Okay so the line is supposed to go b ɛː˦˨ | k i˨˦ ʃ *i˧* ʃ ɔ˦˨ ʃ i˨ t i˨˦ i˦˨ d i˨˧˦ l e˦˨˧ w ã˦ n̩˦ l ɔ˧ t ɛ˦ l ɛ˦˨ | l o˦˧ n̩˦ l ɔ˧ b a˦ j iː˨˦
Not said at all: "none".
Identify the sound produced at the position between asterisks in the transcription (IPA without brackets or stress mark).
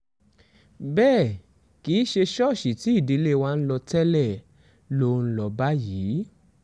e˧